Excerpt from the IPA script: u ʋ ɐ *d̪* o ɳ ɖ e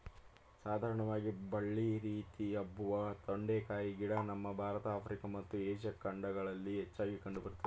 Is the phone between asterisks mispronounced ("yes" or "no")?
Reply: yes